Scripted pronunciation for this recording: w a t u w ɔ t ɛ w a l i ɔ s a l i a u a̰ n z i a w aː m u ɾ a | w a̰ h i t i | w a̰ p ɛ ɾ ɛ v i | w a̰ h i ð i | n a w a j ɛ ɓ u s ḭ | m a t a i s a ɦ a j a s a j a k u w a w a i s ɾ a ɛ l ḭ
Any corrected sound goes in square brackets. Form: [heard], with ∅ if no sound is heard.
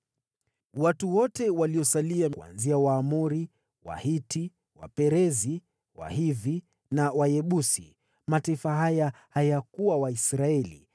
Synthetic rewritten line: w a t u w ɔ t ɛ w a l i ɔ s a l i a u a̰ n z i a w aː m u ɾ [i] | w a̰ h i t i | w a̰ p ɛ ɾ ɛ [z] i | w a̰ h i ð i | n a w a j ɛ ɓ u s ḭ | m a t a i [f] a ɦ a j a [h] a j a k u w a w a i s ɾ a ɛ l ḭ